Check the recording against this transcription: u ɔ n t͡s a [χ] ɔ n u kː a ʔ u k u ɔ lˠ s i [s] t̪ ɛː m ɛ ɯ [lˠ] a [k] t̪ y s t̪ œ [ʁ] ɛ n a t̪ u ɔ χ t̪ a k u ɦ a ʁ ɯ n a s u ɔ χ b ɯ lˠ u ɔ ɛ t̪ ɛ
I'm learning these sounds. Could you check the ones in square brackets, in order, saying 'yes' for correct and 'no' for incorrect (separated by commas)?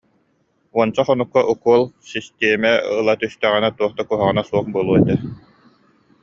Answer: yes, yes, yes, no, yes